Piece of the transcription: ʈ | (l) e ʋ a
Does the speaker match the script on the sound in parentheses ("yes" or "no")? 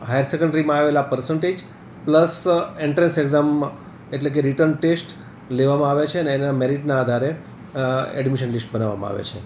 yes